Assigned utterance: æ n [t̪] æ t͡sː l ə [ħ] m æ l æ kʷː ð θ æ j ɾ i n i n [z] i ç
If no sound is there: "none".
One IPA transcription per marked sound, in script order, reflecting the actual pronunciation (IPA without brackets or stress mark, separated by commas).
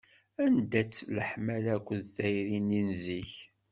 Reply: d̪, ħ, z